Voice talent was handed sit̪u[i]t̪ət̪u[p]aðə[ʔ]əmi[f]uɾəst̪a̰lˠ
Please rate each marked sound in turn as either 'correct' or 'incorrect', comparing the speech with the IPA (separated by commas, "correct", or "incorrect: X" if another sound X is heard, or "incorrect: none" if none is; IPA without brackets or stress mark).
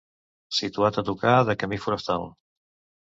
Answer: incorrect: a, incorrect: k, incorrect: k, correct